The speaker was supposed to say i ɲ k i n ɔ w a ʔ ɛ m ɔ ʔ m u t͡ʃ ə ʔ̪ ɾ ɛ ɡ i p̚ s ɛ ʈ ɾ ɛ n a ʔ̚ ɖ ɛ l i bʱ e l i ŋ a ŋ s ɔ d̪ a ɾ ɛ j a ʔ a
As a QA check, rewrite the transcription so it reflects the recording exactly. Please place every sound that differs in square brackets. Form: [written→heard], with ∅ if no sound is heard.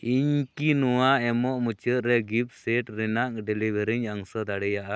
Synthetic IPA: i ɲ k i n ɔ w a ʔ ɛ m ɔ ʔ m u t͡ʃ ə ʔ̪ ɾ ɛ ɡ i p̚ s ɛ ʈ ɾ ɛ n a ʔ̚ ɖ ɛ l i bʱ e [l→ɾ] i [ŋ→ɲ] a ŋ s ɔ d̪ a [ɾ→ɽ] ɛ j a ʔ a